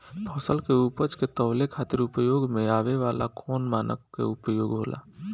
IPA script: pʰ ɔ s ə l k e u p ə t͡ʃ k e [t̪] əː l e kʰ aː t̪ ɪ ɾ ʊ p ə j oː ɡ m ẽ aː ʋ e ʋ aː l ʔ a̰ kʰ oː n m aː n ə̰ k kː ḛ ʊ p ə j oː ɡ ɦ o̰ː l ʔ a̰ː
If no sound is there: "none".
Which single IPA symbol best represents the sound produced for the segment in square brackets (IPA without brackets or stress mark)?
t̪